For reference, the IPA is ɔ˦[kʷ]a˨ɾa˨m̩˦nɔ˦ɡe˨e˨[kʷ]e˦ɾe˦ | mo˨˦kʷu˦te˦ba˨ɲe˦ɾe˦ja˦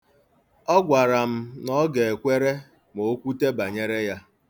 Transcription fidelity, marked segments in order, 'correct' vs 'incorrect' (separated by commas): incorrect, correct